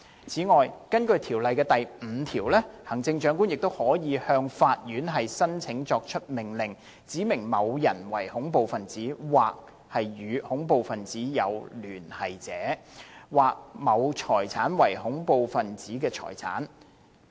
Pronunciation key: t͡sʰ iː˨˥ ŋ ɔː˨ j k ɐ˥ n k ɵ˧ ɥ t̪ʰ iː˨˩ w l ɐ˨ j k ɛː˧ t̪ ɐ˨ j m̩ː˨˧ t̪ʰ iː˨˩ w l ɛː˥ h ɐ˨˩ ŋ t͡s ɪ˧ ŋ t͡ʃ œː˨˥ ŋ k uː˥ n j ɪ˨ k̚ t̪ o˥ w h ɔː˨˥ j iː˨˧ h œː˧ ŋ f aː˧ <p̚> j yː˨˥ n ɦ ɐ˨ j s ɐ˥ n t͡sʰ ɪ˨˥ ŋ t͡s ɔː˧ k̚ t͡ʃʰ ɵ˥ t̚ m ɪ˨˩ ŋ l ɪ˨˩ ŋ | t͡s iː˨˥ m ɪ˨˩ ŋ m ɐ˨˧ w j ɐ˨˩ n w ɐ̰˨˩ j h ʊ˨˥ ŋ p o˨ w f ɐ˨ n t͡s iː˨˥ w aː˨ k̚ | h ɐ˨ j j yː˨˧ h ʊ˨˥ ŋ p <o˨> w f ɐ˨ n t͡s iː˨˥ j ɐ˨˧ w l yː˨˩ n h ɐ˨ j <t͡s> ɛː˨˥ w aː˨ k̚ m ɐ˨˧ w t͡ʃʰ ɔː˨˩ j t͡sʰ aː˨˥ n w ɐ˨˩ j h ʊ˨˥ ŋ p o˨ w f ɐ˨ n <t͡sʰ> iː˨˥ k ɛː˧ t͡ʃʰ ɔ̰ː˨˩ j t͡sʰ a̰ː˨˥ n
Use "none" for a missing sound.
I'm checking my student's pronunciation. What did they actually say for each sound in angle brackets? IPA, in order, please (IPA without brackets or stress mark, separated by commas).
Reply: t̚, o˨, t͡s, t͡s